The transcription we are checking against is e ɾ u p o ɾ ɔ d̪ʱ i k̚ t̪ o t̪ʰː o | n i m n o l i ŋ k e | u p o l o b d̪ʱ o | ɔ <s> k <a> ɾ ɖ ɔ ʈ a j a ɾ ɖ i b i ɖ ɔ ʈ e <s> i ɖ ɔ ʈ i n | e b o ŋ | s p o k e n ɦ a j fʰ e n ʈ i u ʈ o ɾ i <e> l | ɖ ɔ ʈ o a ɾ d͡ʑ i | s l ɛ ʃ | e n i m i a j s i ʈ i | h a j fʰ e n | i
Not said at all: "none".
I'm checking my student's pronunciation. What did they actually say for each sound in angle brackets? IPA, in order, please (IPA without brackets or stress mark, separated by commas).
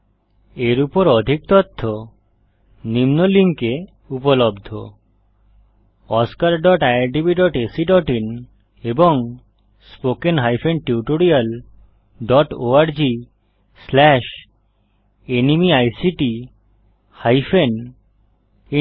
s, a, s, a